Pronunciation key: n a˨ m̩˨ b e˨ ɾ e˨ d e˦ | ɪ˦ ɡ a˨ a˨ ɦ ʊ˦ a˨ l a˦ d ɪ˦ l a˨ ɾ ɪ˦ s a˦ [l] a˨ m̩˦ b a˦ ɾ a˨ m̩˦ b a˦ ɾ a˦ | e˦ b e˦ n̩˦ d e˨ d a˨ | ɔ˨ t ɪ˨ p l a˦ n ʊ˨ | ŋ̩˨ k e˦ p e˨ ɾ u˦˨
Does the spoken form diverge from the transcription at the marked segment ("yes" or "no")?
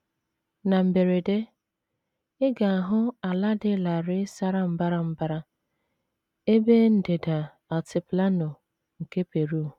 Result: yes